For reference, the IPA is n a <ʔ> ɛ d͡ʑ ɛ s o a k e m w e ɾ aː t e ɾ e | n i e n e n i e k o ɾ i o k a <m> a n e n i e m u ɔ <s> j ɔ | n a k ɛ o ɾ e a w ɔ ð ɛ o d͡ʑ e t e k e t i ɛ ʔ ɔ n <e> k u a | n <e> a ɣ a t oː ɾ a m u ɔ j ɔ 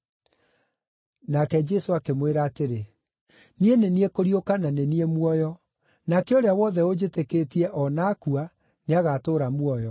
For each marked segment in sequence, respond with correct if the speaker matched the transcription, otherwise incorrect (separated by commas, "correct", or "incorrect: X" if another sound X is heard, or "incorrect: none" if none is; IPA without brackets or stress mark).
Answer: incorrect: k, incorrect: n, incorrect: none, incorrect: a, correct